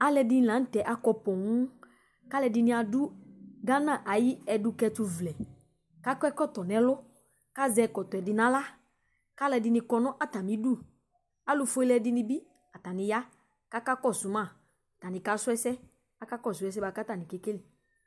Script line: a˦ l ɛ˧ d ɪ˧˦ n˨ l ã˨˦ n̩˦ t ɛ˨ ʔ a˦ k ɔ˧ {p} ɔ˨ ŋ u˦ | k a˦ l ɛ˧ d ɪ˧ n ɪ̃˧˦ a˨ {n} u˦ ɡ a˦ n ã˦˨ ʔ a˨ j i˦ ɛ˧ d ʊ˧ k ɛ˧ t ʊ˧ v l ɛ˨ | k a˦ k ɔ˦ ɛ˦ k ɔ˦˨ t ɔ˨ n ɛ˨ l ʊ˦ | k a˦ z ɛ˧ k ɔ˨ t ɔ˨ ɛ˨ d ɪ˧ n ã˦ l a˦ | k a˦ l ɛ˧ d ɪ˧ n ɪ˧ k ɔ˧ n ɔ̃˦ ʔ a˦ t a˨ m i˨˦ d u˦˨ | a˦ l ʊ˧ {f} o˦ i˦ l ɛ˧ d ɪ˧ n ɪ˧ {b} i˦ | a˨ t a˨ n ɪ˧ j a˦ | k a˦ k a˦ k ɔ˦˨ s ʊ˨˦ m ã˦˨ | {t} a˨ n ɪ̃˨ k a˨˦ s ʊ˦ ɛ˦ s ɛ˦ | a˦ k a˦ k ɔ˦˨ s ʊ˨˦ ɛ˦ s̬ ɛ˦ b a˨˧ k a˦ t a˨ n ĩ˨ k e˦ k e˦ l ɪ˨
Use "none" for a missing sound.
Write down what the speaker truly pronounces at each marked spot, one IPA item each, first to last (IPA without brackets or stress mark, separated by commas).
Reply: p, d, f, b, t